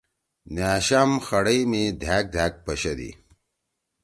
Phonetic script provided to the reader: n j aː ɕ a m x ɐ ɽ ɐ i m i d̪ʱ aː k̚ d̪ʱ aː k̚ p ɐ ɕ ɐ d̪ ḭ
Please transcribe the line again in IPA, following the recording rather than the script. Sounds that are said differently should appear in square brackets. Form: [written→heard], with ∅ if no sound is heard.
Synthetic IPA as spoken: n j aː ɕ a m x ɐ ɽ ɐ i m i d̪ʱ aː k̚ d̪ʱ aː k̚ p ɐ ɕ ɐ d̪ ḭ